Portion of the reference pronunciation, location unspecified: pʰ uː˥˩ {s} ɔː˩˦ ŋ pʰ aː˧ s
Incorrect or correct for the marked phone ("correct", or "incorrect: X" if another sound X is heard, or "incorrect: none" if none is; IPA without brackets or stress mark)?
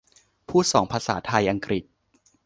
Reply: correct